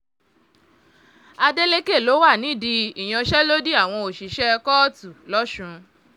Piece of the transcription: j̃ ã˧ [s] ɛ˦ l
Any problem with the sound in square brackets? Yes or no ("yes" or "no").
yes